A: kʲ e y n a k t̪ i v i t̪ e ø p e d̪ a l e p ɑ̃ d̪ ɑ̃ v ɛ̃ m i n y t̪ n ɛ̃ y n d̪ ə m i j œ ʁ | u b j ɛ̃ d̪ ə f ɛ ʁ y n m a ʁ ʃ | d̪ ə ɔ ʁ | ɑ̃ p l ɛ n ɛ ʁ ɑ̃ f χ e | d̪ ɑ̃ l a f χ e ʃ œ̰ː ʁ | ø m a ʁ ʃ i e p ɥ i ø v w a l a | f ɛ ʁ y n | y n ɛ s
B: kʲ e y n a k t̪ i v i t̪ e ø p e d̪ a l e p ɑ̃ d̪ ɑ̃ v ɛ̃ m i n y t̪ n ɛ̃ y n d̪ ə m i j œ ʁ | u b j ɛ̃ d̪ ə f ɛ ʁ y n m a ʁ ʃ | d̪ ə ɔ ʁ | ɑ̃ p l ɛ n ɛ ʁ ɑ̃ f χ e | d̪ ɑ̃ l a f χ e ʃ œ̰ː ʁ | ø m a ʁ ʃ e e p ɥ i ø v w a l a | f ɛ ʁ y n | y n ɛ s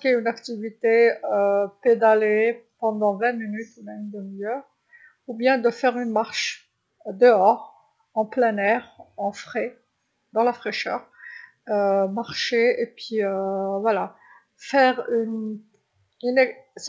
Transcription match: B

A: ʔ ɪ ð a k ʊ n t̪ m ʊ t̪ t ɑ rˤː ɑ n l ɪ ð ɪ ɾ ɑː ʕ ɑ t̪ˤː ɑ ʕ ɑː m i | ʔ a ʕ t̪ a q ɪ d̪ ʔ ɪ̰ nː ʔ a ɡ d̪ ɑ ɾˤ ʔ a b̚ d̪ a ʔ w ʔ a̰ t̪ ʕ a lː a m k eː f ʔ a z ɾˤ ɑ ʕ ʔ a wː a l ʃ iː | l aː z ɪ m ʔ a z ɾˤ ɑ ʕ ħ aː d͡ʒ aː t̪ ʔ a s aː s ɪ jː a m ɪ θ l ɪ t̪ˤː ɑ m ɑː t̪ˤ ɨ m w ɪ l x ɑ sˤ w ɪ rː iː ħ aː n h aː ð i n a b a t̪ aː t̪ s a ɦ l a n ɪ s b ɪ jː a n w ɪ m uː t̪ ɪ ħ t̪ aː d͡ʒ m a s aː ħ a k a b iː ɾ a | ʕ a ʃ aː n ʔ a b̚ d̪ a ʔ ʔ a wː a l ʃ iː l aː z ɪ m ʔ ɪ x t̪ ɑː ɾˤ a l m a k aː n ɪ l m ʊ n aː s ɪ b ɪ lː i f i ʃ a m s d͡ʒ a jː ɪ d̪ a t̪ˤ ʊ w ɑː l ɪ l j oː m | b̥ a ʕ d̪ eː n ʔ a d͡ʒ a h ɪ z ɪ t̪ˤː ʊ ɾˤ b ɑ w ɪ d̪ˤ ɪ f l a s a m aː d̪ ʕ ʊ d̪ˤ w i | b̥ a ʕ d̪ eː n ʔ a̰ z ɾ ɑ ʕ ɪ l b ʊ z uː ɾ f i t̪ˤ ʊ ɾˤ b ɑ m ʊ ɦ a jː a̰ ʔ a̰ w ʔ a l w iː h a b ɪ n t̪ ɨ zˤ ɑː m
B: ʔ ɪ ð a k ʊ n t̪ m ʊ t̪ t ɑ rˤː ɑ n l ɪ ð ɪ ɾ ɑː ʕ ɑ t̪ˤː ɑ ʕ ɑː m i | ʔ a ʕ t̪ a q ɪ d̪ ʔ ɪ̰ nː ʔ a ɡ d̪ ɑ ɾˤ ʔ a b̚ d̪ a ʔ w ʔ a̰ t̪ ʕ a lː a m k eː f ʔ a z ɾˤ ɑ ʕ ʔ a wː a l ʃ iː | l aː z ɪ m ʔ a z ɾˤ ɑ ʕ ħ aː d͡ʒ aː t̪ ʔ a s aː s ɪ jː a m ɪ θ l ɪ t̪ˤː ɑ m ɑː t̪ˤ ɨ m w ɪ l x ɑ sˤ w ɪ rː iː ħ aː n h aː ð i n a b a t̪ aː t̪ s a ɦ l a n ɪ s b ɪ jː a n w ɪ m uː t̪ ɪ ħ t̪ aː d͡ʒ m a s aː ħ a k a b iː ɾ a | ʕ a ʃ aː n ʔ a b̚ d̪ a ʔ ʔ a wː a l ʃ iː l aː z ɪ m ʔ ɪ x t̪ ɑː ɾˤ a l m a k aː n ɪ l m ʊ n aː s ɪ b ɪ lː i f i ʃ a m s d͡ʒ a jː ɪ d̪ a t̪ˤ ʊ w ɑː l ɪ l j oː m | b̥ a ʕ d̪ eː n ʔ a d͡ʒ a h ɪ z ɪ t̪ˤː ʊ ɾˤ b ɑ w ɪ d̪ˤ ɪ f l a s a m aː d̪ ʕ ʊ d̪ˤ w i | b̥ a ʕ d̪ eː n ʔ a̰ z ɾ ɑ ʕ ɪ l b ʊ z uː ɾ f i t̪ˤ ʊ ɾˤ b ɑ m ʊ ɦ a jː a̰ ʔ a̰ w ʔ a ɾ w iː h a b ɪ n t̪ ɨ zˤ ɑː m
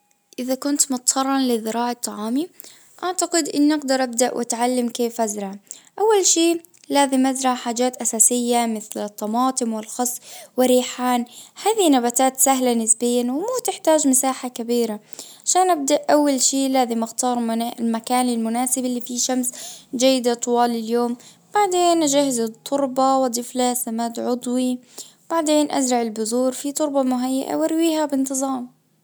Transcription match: B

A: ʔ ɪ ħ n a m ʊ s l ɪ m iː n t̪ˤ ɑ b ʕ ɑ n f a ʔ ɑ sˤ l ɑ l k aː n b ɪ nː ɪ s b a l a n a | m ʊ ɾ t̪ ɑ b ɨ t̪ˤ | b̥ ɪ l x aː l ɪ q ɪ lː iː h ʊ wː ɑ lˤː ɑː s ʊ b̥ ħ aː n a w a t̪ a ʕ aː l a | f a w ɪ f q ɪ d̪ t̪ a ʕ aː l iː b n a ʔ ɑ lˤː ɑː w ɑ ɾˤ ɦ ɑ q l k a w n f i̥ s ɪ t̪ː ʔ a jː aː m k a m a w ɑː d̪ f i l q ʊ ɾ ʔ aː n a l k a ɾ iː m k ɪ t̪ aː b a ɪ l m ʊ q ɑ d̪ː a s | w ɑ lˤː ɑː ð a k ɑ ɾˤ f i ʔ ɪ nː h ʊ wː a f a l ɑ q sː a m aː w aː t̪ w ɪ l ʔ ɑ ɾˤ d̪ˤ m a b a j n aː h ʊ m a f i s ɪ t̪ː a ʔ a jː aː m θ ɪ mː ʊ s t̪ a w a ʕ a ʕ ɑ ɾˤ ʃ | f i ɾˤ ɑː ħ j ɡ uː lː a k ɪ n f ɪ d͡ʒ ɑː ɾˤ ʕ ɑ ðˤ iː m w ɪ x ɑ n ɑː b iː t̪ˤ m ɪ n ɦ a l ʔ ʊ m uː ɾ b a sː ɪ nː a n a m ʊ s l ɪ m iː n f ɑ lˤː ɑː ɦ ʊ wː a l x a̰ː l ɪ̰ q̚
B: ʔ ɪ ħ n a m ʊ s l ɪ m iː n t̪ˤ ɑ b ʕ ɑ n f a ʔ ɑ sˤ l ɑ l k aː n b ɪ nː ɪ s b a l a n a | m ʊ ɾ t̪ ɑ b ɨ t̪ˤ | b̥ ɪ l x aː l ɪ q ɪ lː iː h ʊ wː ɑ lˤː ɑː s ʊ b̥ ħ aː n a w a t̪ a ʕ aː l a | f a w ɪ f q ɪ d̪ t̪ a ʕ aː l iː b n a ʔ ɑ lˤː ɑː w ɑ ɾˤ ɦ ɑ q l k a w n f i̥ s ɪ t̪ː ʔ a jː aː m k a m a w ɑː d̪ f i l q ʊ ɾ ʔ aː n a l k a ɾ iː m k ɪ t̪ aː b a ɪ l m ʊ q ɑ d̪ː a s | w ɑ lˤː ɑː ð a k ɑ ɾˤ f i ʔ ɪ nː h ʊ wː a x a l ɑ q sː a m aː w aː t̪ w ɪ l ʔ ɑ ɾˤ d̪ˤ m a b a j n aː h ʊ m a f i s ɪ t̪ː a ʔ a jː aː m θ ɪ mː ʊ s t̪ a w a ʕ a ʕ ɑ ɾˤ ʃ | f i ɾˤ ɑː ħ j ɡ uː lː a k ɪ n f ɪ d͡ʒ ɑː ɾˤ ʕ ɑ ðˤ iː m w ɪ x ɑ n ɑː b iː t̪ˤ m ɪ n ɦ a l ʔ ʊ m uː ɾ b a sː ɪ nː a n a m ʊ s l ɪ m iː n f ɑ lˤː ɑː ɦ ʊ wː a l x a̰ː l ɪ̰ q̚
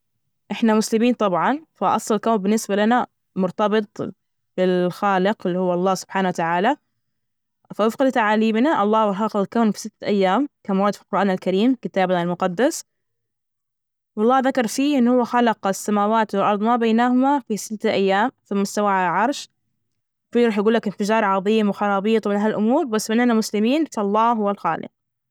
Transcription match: B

